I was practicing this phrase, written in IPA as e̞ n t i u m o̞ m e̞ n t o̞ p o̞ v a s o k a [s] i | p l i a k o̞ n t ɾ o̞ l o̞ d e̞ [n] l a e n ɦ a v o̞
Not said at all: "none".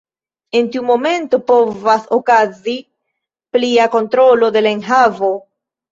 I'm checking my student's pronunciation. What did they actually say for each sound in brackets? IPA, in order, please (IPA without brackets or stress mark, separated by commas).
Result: z, none